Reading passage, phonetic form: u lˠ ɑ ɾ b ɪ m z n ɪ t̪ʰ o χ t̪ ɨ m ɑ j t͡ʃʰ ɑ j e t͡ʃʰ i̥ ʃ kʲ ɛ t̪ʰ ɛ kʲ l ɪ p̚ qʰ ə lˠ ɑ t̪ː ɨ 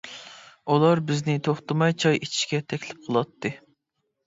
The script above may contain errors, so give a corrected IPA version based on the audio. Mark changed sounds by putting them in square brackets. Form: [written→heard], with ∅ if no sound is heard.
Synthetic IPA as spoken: u lˠ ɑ ɾ b ɪ [m→∅] z n ɪ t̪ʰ o χ t̪ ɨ m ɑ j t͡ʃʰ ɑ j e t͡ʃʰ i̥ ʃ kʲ ɛ t̪ʰ ɛ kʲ l ɪ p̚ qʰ ə lˠ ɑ t̪ː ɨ